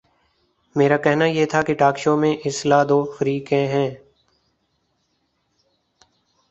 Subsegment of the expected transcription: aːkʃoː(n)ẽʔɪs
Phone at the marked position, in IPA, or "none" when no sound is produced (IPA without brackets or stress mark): m